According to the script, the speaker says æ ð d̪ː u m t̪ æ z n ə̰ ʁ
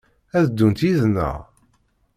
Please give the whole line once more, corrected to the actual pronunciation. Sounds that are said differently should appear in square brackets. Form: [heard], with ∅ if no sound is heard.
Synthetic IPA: æ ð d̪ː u [n] t̪ [i] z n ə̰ ʁ